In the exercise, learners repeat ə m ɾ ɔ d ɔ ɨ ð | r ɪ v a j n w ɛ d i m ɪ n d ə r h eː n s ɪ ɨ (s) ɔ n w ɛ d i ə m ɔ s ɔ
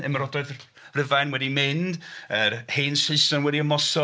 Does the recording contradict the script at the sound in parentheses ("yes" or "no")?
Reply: no